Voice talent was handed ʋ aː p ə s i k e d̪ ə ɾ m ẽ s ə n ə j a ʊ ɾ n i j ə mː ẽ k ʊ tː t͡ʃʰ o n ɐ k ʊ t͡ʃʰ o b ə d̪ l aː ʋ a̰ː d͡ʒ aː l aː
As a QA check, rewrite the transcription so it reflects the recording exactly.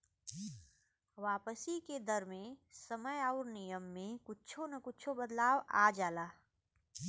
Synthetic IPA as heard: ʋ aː p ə s i k e d̪ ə ɾ m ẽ s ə m ə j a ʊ ɾ n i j ə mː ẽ k ʊ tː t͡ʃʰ o n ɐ k ʊ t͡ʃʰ o b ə d̪ l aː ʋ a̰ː d͡ʒ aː l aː